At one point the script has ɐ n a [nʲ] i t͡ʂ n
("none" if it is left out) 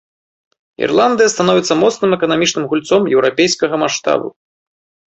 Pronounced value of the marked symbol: mʲ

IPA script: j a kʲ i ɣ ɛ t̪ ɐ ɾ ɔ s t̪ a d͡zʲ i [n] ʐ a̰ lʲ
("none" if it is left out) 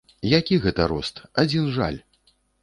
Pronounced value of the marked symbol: n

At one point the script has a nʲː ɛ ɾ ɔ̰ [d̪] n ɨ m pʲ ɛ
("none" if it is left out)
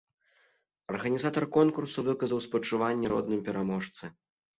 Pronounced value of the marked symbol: d̪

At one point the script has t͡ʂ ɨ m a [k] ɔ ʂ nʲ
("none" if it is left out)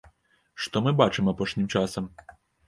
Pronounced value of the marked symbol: p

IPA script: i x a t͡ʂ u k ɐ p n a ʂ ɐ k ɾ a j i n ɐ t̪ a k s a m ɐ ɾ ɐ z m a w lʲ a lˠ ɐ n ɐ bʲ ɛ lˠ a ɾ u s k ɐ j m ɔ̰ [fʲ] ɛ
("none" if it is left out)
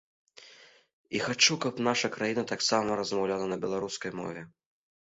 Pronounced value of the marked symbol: vʲ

